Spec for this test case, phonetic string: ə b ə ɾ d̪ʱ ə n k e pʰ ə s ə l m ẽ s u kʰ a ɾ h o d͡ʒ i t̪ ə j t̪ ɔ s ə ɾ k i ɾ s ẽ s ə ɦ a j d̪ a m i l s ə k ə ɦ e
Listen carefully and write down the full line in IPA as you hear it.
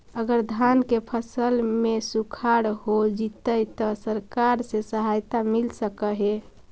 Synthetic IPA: ə ɡ ə ɾ d̪ʱ a n k e pʰ ə s ə l m e s u kʰ a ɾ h o d͡ʒ i t̪ ə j t̪ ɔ s ə ɾ k a ɾ s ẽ s ə ɦ a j t̪ a m i l s ə k ə ɦ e